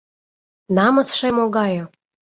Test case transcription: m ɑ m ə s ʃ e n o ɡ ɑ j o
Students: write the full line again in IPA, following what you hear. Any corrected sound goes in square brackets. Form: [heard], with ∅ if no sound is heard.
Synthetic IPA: [n] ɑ m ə s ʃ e [m] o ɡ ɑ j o